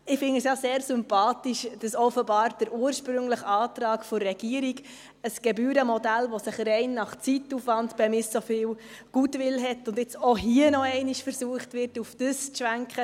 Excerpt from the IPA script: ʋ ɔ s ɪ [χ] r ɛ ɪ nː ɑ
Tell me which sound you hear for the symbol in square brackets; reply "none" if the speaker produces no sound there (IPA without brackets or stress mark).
χ